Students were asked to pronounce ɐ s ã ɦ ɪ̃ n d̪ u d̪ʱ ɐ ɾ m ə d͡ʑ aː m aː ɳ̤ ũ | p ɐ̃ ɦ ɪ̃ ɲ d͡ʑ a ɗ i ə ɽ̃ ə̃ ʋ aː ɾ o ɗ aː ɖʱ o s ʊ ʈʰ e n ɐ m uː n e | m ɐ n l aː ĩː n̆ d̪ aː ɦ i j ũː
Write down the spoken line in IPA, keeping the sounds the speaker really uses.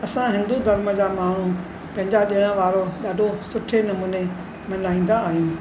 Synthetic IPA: ɐ s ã ɦ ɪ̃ n d̪ u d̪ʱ ɐ ɾ m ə d͡ʑ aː m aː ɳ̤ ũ | p ɐ̃ ɦ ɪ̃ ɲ d͡ʑ a ɗ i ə ɽ̃ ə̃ ʋ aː ɾ o ɗ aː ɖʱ o s ʊ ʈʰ e n ɐ m uː n e | m ɐ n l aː ĩː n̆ d̪ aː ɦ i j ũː